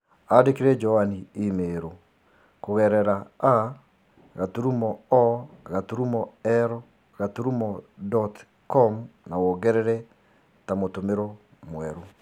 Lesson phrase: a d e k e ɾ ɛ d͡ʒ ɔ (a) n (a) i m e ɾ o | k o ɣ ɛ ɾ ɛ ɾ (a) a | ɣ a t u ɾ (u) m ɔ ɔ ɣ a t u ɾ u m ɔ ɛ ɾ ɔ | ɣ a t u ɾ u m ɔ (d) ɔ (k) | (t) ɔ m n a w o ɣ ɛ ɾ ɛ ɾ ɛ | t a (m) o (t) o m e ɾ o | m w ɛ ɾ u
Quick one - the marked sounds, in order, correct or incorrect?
correct, incorrect: i, correct, correct, correct, incorrect: t, incorrect: k, correct, correct

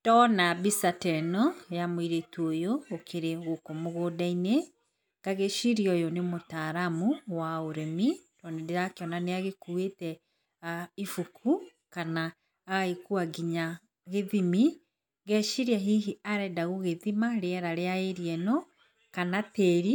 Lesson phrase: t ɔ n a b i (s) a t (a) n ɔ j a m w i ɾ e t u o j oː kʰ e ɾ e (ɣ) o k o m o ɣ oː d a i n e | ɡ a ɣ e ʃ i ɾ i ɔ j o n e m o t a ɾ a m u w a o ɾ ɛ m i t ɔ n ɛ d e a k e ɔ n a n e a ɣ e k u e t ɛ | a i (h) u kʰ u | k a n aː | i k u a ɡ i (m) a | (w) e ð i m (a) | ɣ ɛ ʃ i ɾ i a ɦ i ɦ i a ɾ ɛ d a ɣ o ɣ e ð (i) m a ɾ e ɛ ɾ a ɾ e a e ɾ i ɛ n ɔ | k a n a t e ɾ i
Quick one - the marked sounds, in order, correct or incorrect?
correct, incorrect: ɛ, correct, incorrect: f, incorrect: ɲ, incorrect: ɣ, incorrect: i, correct

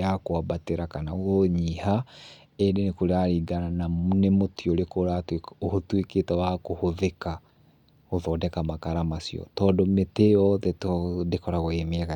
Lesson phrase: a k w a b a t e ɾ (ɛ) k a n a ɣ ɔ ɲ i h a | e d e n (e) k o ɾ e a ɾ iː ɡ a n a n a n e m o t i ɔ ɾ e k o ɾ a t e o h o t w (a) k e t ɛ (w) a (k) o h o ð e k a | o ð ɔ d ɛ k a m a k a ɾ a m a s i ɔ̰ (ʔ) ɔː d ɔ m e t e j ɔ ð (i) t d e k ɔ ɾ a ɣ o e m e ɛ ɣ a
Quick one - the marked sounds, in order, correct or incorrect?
incorrect: a, correct, incorrect: e, correct, correct, incorrect: t, incorrect: ɛ

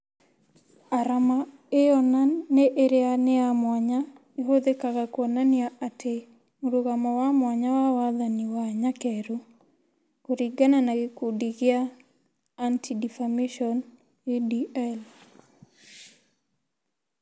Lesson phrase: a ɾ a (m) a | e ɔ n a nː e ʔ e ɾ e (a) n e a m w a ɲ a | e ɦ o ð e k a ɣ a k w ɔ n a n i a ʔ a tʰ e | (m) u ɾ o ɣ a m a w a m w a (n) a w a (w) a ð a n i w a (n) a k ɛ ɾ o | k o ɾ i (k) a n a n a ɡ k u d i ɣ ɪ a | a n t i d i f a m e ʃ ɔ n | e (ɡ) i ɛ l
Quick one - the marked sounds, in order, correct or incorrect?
correct, correct, correct, incorrect: ɲ, correct, incorrect: ɲ, incorrect: ɡ, incorrect: d

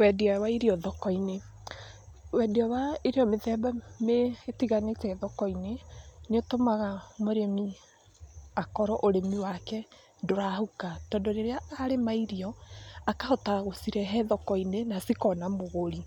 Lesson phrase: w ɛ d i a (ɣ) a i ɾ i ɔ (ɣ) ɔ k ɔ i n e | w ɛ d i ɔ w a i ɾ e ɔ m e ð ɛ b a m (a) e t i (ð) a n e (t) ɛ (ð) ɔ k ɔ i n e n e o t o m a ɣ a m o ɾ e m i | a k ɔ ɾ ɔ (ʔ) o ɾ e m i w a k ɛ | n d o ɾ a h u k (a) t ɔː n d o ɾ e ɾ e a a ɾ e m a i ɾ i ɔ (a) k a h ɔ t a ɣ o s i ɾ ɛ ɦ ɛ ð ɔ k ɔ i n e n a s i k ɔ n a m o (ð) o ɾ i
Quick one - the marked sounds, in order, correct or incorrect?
incorrect: w, incorrect: ð, incorrect: e, incorrect: ɣ, correct, correct, correct, correct, correct, incorrect: ɣ

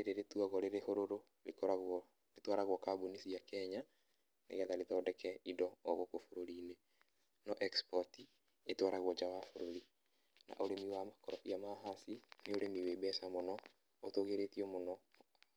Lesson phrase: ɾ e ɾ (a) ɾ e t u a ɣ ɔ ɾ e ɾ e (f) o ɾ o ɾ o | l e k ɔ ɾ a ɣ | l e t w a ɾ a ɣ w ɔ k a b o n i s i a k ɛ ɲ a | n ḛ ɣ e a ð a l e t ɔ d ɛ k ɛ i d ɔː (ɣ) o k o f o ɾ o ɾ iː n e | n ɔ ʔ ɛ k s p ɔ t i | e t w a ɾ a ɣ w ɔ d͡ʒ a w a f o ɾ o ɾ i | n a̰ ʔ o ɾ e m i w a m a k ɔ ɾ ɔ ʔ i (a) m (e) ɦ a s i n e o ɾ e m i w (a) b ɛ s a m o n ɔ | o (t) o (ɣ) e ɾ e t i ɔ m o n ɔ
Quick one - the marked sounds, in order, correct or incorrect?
incorrect: e, incorrect: h, correct, correct, incorrect: a, incorrect: e, correct, correct

